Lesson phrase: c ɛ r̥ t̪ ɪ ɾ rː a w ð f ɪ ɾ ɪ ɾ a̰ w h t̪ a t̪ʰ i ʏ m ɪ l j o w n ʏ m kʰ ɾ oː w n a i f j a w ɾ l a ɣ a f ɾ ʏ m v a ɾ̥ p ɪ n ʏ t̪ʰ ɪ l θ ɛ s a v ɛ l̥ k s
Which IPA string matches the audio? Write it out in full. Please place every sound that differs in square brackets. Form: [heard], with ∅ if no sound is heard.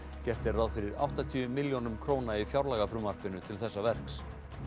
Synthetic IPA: c ɛ r̥ t̪ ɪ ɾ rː a w ð f ɪ ɾ ɪ ɾ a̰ w h t̪ a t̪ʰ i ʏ m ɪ l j o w n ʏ m kʰ ɾ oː w n a i f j a w ɾ l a ɣ a f ɾ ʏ m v a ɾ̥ p ɪ n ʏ t̪ʰ ɪ l θ ɛ [sː] a v ɛ [r̥] k s